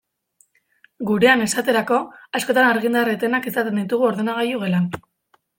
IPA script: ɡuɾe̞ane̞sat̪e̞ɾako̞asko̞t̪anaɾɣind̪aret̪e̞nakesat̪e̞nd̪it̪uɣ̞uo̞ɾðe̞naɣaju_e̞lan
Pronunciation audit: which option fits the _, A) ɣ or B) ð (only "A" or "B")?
A